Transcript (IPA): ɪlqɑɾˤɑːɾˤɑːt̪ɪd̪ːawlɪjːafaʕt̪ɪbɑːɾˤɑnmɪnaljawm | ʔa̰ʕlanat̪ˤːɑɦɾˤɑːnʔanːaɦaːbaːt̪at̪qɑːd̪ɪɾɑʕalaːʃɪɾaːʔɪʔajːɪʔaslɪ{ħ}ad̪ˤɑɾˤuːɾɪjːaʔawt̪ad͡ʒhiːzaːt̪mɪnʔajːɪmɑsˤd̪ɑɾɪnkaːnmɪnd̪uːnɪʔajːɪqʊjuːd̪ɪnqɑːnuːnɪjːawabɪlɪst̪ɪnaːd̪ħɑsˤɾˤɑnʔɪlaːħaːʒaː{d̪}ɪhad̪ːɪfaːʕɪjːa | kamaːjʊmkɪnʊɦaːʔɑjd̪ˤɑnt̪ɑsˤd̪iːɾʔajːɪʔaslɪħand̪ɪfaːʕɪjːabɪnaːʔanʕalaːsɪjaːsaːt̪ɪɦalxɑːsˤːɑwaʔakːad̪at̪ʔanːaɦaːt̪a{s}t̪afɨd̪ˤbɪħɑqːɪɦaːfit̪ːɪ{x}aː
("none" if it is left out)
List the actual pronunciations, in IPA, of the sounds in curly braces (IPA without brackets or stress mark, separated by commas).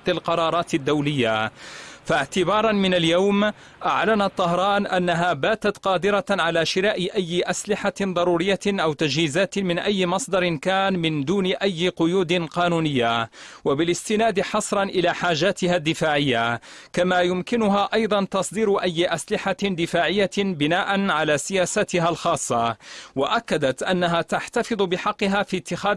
ħ, t̪, ħ, x